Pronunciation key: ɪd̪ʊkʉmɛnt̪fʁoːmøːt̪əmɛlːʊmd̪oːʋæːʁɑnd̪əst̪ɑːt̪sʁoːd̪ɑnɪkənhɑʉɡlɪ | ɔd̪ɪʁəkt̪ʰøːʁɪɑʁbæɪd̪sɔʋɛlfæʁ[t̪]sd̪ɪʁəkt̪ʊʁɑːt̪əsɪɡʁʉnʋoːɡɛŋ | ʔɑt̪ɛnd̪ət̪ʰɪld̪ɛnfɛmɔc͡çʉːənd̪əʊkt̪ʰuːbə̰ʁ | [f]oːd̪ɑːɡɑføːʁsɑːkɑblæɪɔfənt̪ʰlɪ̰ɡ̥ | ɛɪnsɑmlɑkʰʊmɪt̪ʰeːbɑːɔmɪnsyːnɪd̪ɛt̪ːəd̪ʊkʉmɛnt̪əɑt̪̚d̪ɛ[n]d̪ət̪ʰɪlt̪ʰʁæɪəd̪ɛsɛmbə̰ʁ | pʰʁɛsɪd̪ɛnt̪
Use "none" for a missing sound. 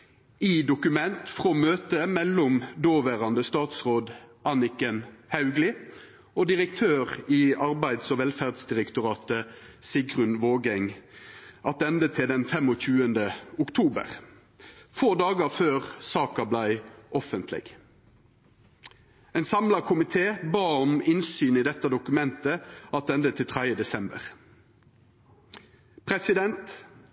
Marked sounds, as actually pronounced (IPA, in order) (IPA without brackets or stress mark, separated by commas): d̪, f, n